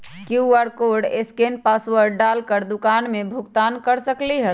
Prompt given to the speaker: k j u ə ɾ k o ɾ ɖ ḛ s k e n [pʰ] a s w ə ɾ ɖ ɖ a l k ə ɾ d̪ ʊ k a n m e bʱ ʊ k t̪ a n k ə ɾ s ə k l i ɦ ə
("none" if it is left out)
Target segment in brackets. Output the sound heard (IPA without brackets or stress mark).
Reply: p